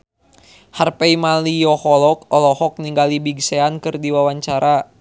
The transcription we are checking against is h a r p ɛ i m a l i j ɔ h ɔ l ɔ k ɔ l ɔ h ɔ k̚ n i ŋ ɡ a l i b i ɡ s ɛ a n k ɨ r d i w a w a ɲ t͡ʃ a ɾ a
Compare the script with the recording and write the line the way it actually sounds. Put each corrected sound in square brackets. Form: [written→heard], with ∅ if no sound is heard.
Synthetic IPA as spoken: h a r p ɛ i m a l i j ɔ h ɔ l ɔ k ɔ l ɔ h ɔ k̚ n i ŋ ɡ a l i b i ɡ s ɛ a n k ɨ r d i w a w a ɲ t͡ʃ a ɾ a